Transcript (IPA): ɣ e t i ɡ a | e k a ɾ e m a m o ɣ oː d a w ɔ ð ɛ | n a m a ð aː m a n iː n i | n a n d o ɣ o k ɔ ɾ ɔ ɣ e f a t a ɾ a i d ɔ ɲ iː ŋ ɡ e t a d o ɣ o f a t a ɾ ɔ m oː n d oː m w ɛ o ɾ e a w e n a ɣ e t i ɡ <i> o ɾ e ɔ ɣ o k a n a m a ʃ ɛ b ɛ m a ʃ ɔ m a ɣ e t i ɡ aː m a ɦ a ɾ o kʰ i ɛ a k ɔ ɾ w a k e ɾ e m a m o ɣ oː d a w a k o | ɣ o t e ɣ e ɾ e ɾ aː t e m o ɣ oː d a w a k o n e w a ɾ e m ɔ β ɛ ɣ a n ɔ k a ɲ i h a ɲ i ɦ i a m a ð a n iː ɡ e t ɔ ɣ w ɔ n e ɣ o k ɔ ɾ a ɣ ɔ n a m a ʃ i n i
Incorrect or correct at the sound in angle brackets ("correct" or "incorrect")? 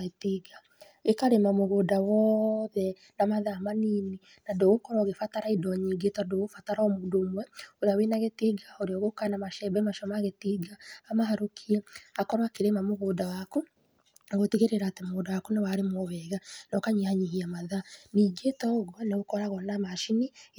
incorrect